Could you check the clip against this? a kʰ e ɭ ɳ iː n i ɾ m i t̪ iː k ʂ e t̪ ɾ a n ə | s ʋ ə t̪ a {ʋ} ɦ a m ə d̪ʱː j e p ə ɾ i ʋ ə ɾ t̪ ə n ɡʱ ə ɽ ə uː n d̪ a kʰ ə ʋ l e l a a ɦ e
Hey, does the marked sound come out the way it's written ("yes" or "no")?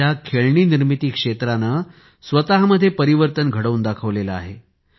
no